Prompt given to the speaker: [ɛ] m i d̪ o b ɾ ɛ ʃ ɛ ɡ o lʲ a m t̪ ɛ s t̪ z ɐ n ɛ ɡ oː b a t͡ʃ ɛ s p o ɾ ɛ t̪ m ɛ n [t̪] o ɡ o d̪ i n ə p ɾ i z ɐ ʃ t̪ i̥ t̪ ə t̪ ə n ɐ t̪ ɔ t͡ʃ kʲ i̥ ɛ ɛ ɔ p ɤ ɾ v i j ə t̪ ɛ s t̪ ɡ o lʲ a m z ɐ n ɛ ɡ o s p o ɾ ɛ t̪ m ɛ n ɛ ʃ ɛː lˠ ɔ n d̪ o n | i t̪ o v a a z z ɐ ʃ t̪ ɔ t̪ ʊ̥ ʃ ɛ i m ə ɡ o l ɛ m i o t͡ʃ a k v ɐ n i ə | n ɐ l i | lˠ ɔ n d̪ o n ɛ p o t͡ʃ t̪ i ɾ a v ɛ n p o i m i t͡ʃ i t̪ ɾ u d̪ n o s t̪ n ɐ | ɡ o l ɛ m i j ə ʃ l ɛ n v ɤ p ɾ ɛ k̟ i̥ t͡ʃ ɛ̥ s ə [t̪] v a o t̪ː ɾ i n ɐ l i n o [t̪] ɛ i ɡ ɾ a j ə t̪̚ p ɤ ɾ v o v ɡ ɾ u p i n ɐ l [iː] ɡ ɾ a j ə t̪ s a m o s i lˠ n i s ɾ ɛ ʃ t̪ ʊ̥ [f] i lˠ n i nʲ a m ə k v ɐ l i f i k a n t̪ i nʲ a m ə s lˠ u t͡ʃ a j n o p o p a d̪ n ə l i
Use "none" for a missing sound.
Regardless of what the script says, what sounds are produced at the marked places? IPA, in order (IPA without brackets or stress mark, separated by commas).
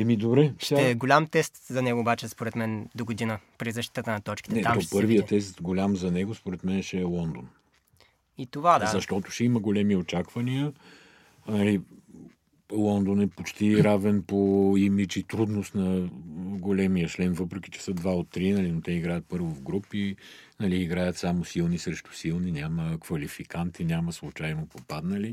ɛ, d̪, d̪, t̪, iː, s